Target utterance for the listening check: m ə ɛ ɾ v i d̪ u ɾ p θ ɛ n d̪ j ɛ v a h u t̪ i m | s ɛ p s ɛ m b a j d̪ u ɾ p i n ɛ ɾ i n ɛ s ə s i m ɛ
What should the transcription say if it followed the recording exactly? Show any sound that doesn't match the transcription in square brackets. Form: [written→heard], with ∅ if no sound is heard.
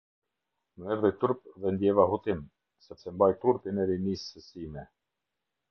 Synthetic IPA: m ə ɛ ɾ [v→ð] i [d̪→t̪] u ɾ p [θ→ð] ɛ n d̪ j ɛ v a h u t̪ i m | s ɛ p s ɛ m b a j [d̪→t̪] u ɾ p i n ɛ ɾ i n [ɛ→i] s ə s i m ɛ